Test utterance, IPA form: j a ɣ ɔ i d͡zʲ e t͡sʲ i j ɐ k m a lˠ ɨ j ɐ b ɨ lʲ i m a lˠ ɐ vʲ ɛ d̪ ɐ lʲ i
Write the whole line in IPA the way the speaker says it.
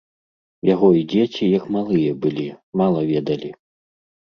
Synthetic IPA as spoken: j a ɣ ɔ i d͡zʲ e t͡sʲ i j ɐ k m a lˠ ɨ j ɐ b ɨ lʲ i m a lˠ ɐ vʲ ɛ d̪ ɐ lʲ i